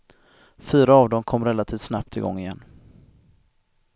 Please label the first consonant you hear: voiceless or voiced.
voiceless